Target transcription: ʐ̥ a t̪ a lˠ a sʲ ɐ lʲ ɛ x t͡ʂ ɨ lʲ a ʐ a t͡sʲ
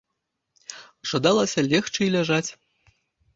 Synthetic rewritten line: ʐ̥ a d̪ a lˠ ɐ sʲ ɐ lʲ ɛ x t͡ʂ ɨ lʲ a ʐ a t͡sʲ